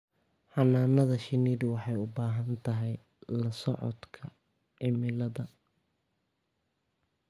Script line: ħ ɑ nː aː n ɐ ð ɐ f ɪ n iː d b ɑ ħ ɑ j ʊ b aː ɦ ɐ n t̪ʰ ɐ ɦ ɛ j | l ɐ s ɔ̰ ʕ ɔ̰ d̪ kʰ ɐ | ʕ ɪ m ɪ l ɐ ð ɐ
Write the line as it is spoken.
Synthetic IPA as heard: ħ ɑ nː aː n ɐ ð ɐ ʃ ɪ n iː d w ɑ ħ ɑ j ʊ b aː ɦ ɐ n t̪ʰ ɐ ɦ ɛ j | l ɐ s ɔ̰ ʕ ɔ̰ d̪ kʰ ɐ | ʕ ɪ m ɪ l ɐ ð ɐ